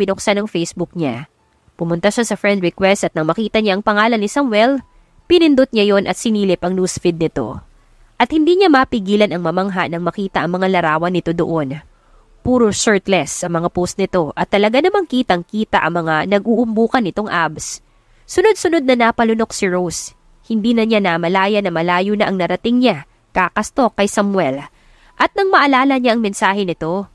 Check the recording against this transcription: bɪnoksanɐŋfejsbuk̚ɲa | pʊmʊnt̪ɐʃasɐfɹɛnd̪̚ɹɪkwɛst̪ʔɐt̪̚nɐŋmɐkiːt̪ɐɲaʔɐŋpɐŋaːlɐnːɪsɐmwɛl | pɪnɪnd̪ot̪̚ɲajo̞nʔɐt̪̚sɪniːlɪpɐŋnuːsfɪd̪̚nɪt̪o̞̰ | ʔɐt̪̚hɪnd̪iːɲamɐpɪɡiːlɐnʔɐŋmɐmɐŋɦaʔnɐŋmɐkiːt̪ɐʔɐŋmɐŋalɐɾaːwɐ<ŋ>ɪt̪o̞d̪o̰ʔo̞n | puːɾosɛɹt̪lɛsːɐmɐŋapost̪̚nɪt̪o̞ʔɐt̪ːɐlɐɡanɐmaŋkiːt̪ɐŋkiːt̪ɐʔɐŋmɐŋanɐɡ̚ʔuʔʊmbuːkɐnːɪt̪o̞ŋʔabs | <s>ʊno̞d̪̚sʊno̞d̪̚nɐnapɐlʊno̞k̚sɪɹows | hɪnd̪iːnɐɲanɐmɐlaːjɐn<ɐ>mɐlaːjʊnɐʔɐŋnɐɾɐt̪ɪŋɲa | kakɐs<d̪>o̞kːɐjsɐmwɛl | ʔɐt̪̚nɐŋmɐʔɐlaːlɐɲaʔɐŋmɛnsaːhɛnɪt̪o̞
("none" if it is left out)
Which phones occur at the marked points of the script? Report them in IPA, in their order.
n, s, ɐ, t̪

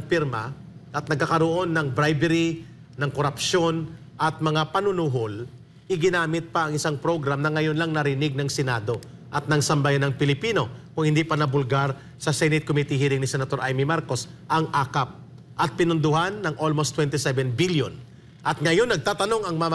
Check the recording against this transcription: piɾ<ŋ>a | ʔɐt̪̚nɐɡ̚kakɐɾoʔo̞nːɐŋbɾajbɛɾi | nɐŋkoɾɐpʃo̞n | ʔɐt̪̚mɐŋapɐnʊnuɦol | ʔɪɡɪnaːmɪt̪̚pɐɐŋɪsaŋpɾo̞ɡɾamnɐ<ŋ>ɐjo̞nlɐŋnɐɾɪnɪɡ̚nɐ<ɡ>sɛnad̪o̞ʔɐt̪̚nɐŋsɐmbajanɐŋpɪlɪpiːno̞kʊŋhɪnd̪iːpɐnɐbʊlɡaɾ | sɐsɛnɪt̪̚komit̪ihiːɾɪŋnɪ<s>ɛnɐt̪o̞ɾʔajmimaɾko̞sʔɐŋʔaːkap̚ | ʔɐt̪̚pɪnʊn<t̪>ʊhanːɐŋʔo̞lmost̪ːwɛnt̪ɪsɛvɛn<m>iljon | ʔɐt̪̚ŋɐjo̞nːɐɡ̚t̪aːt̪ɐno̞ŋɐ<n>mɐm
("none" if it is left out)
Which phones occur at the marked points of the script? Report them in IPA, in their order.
m, ŋ, ŋ, s, d̪, b, ŋ

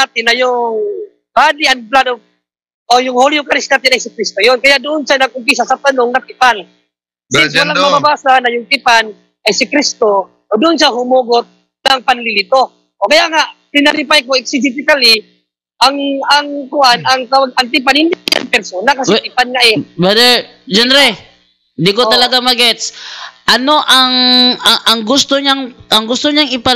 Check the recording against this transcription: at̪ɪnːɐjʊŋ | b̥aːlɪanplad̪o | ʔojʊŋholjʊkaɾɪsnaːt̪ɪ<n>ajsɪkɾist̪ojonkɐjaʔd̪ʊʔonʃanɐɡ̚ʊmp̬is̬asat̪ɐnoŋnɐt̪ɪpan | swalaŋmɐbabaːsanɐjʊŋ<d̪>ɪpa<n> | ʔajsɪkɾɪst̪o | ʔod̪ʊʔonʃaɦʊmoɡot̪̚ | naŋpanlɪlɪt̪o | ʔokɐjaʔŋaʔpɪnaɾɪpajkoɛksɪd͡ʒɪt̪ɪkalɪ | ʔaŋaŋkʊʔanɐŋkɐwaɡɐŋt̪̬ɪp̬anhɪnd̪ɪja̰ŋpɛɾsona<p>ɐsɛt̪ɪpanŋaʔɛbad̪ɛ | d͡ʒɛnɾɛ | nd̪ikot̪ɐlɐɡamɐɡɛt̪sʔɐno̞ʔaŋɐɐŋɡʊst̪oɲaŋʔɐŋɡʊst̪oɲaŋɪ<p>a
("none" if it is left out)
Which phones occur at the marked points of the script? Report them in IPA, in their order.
n, t̪, n, k, p

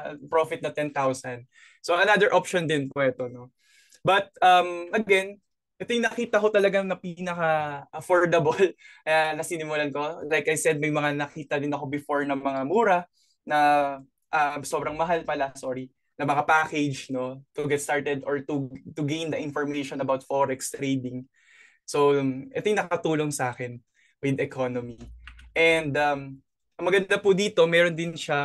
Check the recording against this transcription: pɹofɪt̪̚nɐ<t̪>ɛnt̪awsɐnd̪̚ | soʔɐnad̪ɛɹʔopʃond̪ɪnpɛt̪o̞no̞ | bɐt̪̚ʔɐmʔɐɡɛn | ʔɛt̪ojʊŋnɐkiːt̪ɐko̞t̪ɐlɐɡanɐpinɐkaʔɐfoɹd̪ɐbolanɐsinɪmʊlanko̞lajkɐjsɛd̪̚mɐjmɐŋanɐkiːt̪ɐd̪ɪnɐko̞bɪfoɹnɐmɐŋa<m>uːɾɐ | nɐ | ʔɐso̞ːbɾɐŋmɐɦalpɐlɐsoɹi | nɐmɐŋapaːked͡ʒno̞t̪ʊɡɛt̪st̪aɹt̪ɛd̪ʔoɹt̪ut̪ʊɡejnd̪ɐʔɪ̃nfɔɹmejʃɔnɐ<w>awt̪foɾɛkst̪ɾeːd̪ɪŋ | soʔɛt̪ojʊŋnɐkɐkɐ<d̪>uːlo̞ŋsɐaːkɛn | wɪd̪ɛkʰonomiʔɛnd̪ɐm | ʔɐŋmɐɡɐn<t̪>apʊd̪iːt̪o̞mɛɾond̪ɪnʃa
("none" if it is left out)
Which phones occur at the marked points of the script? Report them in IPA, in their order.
t̪, m, b, t̪, d̪

